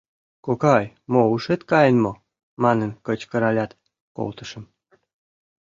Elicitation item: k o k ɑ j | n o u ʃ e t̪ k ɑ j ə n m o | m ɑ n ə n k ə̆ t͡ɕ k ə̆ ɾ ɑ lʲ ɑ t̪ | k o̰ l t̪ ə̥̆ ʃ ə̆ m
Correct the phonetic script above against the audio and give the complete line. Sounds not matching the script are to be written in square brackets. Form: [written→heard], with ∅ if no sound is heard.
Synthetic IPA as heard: k o k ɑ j | [n→m] o u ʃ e t̪ k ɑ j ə n m o | m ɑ n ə n k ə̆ t͡ɕ k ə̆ ɾ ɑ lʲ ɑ t̪ | k o̰ l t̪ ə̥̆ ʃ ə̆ m